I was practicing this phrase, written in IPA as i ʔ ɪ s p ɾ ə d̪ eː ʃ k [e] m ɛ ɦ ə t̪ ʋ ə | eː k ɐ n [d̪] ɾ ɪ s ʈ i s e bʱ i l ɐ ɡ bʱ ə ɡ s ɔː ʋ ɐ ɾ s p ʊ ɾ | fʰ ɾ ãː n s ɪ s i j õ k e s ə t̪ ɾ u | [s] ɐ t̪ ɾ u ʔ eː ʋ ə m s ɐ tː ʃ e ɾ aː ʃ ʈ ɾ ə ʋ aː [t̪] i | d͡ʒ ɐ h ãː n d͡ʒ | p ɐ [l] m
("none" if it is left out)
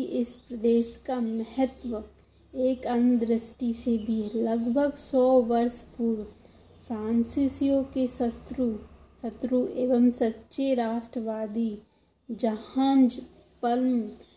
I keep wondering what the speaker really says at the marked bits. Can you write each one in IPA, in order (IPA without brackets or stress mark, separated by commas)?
a, d̪, s, d̪, l